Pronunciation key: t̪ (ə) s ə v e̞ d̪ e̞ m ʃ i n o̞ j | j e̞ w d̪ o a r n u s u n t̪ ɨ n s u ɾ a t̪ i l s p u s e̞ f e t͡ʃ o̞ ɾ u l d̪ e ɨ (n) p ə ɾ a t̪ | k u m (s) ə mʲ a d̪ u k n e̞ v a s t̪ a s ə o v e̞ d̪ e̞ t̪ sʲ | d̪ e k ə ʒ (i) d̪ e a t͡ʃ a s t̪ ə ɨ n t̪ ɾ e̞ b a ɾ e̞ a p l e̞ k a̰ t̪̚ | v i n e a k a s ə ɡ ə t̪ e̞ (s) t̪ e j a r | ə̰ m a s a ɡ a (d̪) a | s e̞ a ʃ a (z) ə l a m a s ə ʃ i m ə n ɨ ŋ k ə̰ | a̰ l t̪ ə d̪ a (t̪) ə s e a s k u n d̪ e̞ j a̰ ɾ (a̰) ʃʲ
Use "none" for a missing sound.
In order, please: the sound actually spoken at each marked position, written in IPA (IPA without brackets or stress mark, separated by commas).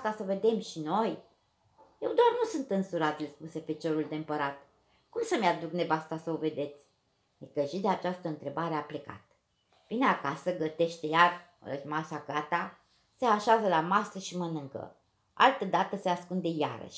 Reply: a, m, s, i, ʃ, t̪, z, t̪, ə̰